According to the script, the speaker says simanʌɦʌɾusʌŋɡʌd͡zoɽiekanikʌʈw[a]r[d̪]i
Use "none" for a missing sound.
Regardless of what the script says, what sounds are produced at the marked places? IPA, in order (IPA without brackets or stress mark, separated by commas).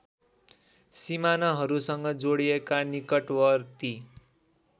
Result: ʌ, t̪